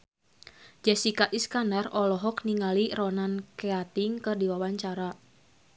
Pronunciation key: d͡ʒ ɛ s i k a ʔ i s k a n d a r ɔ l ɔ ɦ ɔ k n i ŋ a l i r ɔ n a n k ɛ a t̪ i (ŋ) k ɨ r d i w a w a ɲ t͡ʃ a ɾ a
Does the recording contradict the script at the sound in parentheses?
no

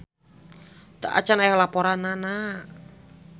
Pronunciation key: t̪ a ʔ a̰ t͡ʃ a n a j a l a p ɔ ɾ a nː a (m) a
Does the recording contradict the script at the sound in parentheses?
yes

